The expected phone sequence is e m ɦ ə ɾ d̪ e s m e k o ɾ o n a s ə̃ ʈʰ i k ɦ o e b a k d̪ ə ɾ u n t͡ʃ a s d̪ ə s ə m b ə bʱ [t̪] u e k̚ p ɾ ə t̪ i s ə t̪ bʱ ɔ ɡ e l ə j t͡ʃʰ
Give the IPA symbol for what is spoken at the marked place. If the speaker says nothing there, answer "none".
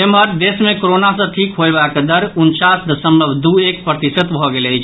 d̪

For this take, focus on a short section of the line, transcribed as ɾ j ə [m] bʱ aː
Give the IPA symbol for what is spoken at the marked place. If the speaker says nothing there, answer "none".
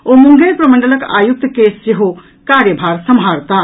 none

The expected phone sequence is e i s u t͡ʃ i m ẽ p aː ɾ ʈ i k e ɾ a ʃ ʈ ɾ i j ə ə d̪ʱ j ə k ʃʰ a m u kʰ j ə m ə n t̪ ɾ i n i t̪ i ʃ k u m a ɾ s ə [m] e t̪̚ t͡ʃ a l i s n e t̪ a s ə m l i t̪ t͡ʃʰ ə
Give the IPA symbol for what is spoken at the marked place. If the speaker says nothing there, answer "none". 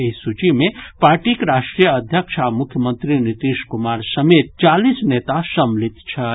m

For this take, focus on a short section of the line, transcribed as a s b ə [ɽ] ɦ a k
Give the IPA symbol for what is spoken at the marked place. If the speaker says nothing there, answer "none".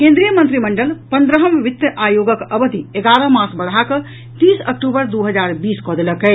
ɽ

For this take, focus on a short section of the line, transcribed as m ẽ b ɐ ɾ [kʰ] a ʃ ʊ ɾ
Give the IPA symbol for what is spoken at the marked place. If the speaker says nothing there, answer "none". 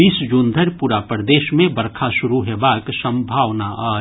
kʰ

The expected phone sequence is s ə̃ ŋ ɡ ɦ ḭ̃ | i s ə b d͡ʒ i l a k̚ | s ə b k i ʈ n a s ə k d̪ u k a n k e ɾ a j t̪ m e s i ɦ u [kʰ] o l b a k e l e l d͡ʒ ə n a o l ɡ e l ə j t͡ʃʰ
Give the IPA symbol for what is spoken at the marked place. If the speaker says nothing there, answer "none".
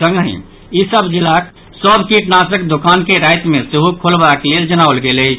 kʰ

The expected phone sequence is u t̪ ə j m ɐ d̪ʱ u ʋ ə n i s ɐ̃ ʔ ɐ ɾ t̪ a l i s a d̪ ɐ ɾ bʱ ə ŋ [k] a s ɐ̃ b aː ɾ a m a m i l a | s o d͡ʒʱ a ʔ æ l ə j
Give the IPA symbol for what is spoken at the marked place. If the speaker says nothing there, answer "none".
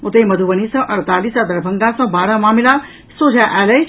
ɡ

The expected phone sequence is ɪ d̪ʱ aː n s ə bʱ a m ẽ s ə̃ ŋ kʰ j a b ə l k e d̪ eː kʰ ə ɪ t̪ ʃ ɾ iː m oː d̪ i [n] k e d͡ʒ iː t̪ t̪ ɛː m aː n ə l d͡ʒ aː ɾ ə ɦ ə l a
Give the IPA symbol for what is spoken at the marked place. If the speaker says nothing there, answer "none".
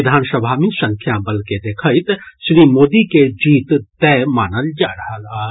none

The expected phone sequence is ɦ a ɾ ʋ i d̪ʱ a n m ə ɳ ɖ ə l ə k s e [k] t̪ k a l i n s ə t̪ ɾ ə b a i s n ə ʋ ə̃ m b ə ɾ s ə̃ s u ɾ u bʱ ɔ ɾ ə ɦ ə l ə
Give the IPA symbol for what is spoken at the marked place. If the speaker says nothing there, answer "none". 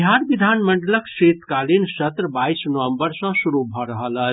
none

